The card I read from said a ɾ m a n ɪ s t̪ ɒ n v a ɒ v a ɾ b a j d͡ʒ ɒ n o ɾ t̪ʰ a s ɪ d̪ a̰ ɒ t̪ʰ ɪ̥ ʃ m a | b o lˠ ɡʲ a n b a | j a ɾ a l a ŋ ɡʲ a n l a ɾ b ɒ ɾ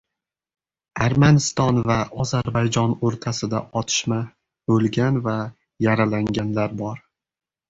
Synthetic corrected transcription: a ɾ m a n ɪ s t̪ ɒ n v a ɒ z a ɾ b a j d͡ʒ ɒ n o ɾ t̪ʰ a s ɪ d̪ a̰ ɒ t̪ʰ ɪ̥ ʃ m a | b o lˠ ɡʲ a n v a | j a ɾ a l a ŋ ɡʲ a n l a ɾ b ɒ ɾ

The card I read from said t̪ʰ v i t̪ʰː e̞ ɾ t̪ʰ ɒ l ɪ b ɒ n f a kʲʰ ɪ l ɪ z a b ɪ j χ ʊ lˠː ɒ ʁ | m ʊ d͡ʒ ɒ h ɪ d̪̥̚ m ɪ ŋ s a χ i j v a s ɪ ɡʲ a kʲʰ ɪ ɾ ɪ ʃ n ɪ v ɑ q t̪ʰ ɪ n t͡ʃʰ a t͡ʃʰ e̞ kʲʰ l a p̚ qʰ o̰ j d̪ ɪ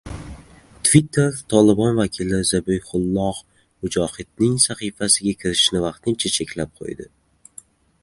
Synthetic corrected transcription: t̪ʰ v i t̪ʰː e̞ ɾ t̪ʰ ɒ l ɪ b ɒ n v a kʲʰ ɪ l ɪ z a b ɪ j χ ʊ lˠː ɒ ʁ | m ʊ d͡ʒ ɒ h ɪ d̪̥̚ n ɪ ŋ s a χ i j f a s ɪ ɡʲ a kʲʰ ɪ ɾ ɪ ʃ n ɪ v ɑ q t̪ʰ ɪ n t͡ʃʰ a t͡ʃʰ e̞ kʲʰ l a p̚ qʰ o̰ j d̪ ɪ

